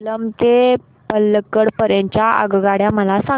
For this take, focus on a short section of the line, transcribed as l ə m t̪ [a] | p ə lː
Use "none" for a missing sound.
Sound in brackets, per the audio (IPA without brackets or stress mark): e